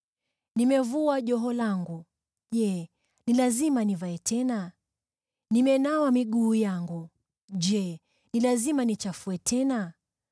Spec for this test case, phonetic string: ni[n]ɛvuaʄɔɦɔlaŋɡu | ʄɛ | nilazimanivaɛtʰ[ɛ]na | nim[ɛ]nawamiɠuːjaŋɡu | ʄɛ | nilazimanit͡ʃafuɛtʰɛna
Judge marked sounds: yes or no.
no, yes, yes

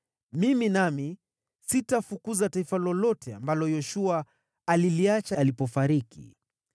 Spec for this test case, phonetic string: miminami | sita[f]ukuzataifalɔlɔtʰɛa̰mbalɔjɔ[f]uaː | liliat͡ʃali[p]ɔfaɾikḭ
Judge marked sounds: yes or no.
yes, no, yes

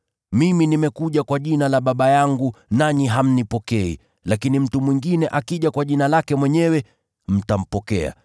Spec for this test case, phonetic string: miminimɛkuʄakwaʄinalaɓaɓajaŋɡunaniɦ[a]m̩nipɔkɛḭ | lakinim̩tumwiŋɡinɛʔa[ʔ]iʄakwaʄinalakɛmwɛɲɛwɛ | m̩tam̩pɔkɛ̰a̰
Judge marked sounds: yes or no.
yes, no

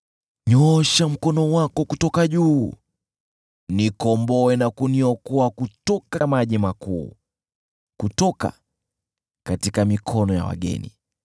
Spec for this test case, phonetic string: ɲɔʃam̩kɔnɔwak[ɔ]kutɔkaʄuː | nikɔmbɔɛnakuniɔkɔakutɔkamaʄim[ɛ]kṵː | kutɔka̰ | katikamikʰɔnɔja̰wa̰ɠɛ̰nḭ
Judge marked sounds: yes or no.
yes, no

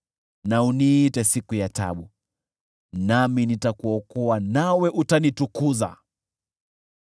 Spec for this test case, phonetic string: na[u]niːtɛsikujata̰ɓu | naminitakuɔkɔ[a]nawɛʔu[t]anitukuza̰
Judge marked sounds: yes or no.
yes, yes, yes

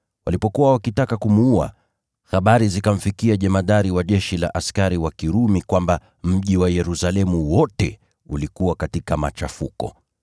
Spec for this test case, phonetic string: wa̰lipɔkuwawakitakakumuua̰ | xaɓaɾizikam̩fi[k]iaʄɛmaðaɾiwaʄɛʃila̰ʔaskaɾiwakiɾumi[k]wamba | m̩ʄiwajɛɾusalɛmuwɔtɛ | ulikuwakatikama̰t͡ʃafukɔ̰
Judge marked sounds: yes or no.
yes, yes

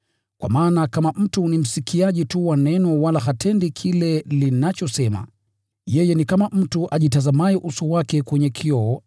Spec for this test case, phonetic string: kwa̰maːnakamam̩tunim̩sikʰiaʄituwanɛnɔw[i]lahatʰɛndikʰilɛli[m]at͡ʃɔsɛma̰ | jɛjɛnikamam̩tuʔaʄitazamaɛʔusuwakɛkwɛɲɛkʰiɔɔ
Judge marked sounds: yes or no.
no, no

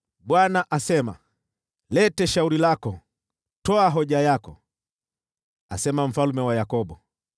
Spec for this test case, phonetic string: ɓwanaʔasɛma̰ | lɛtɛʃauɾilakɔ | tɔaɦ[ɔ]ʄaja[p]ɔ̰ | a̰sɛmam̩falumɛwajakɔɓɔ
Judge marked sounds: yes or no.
yes, no

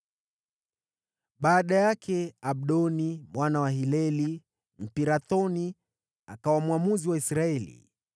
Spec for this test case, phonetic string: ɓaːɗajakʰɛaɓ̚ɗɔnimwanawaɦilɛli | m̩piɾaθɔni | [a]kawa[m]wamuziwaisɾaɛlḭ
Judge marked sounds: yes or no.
yes, yes

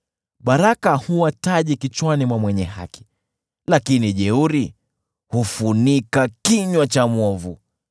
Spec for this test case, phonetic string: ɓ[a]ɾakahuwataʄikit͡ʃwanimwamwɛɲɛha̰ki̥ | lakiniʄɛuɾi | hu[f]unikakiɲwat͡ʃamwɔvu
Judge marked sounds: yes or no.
yes, yes

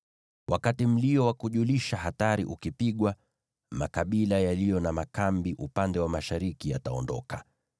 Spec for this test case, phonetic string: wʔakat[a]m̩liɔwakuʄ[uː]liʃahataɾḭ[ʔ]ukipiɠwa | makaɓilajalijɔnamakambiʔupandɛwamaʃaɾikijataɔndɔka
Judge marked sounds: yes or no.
no, no, yes

